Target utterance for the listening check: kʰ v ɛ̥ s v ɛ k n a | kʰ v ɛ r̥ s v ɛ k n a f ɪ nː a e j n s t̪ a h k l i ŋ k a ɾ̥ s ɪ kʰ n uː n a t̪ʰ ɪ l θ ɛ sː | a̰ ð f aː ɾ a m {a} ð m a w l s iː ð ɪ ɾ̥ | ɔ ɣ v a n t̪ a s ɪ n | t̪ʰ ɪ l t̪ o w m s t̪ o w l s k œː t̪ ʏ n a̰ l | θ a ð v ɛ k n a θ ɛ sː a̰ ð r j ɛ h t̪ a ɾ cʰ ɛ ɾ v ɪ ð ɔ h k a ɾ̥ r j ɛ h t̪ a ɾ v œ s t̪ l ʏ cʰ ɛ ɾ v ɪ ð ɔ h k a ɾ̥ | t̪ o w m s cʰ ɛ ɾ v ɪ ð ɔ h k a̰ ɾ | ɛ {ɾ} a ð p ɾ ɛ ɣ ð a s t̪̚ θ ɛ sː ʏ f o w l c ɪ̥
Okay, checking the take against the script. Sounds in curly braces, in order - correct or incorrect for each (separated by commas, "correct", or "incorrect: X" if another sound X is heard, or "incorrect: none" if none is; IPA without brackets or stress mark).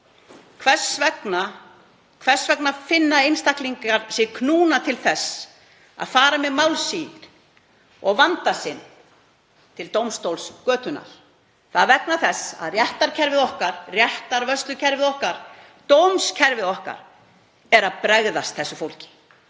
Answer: incorrect: ɛ, correct